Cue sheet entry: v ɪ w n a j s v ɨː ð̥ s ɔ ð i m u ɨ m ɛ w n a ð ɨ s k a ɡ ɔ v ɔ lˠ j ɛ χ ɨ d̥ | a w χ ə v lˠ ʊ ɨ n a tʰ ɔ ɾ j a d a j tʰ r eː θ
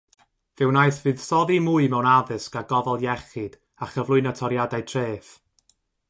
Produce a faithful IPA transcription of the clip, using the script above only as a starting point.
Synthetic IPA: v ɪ w n a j θ v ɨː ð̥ s ɔ ð i m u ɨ m ɛ w n a ð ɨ s k a ɡ ɔ v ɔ lˠ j ɛ χ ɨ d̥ | a χ ə v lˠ ʊ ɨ n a tʰ ɔ ɾ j a d a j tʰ r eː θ